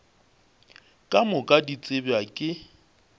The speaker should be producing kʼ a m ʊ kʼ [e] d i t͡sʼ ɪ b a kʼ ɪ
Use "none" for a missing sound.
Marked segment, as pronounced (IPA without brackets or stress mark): a